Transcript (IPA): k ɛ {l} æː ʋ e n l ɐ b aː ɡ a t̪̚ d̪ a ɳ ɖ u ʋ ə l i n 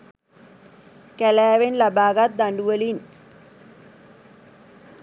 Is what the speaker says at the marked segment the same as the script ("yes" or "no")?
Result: yes